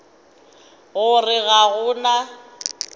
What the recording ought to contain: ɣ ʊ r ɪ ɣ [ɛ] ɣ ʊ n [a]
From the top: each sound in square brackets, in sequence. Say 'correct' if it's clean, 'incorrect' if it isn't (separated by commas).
incorrect, correct